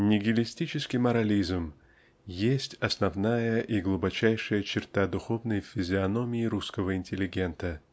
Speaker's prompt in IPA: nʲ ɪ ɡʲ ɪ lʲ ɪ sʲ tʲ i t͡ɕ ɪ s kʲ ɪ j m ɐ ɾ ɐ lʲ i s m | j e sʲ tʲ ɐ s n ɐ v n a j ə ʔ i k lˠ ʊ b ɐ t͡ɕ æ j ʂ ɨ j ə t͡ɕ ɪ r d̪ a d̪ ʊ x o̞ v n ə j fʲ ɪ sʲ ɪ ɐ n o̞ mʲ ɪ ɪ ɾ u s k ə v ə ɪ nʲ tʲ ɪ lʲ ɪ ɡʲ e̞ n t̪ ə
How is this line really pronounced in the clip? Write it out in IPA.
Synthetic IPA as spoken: nʲ ɪ ɡʲ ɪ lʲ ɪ sʲ tʲ i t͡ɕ ɪ s kʲ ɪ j m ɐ ɾ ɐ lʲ i z m | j e sʲ tʲ ɐ s n ɐ v n a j ə ʔ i ɡ lˠ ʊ b ɐ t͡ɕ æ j ʂ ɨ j ə t͡ɕ ɪ r t̪ a d̪ ʊ x o̞ v n ə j fʲ ɪ zʲ ɪ ɐ n o̞ mʲ ɪ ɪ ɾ u s k ə v ə ɪ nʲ tʲ ɪ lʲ ɪ ɡʲ e̞ n t̪ ə